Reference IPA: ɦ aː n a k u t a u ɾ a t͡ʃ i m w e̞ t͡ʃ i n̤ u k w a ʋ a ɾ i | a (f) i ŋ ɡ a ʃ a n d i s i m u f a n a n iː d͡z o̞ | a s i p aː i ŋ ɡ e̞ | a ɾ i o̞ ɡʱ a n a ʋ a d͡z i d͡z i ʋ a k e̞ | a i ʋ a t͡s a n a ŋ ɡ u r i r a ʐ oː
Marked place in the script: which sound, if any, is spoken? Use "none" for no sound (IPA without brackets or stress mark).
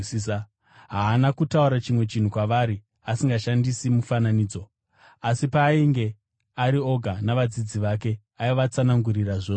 s